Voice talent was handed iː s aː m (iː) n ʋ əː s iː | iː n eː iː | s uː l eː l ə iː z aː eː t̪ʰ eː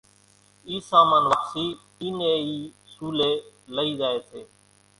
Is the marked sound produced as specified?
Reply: no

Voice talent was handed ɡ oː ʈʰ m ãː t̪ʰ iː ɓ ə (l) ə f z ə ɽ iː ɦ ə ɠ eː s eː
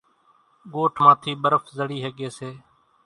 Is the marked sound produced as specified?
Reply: no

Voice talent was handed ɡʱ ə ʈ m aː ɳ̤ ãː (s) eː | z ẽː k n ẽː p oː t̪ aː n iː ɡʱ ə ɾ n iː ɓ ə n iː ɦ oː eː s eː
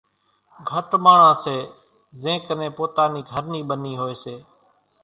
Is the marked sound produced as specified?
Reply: yes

